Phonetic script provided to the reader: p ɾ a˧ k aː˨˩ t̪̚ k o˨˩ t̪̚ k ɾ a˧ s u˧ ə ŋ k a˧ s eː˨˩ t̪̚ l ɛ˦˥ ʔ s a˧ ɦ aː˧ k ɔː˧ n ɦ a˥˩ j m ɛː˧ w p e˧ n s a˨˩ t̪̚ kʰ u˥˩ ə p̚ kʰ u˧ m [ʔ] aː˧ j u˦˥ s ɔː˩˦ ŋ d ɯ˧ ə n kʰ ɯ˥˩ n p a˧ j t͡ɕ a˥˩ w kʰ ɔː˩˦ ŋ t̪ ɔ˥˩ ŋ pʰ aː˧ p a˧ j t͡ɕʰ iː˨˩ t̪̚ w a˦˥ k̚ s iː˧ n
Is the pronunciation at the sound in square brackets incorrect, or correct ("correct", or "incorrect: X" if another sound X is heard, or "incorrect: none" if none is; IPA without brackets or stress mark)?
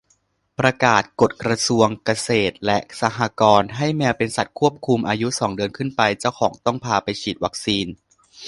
correct